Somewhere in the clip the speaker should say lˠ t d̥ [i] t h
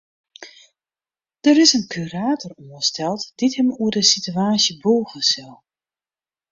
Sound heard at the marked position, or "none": i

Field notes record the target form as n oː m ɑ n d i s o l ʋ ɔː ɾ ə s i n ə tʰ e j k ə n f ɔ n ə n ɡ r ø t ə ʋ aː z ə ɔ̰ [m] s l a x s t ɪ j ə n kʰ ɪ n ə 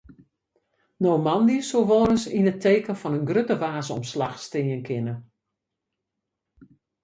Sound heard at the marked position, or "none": m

